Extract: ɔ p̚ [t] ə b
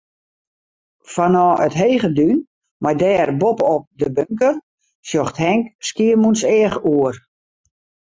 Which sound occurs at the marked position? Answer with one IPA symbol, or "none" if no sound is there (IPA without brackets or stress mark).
d